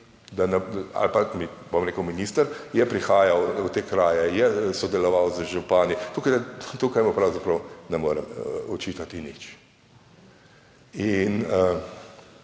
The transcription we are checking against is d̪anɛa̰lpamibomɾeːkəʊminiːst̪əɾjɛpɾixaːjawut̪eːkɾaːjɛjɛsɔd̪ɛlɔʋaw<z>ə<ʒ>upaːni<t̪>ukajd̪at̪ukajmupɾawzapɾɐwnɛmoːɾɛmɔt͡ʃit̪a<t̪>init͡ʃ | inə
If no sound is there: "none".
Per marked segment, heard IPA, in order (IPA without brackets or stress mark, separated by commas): z, ʒ, t̪, t̪